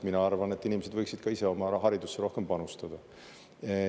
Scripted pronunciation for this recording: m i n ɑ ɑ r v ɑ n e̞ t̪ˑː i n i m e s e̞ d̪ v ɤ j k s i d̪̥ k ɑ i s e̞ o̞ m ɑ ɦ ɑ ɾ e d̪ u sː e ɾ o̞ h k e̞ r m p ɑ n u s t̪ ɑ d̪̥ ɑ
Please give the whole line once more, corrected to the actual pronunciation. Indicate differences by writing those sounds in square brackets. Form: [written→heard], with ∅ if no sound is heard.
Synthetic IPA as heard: m i n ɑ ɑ r v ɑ n e̞ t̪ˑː i n i m e s e̞ d̪ v ɤ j k s i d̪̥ k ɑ i s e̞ o̞ m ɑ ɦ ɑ ɾ [e→i] d̪ u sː e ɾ o̞ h k e̞ [r→∅] m p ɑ n u s t̪ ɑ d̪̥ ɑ